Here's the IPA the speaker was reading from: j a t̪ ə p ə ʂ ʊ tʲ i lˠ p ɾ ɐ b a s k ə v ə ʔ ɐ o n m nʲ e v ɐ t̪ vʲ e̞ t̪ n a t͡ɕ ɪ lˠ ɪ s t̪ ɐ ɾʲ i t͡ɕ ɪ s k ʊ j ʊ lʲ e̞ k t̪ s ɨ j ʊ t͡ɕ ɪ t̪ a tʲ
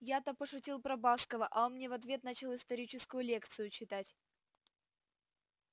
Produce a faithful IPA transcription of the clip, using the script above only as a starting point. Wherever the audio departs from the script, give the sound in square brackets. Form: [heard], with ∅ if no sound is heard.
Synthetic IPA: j a t̪ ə p ə ʂ ʊ tʲ i lˠ p ɾ ɐ b a s k ə v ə ʔ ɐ o n m nʲ e v ɐ t̪ vʲ e̞ t̪ n a t͡ɕ ɪ lˠ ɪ s t̪ ɐ ɾʲ i t͡ɕ ɪ s k ʊ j ʊ lʲ e̞ k t̪ s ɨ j ʊ t͡ɕ ɪ t̪ a tʲ